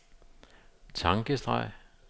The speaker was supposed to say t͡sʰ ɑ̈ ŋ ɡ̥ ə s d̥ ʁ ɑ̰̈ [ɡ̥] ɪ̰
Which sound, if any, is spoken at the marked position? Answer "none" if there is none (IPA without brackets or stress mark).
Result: none